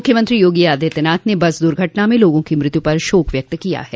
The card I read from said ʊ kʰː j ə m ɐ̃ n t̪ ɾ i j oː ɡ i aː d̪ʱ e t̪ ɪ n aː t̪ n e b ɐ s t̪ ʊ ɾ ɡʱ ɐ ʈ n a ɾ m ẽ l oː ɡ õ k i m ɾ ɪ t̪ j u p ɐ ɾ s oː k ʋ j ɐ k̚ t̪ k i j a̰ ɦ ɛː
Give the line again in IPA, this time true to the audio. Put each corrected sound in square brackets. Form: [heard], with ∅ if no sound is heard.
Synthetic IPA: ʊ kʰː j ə m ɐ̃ n t̪ ɾ i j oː ɡ i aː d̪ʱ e t̪ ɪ n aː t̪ n e b ɐ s [d̪] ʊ ɾ ɡʱ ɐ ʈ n a [∅] m ẽ l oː ɡ õ k i m ɾ ɪ t̪ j u p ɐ ɾ [ʃ] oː k ʋ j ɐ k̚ t̪ k i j a̰ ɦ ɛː